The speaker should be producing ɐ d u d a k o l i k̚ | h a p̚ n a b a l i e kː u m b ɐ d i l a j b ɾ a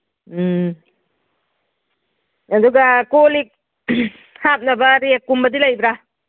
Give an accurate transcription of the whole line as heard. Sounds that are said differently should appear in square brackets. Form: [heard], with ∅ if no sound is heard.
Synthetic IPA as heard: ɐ d u [ɡ] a k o l i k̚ | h a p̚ n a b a [ɾ] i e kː u m b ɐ d i l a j b ɾ a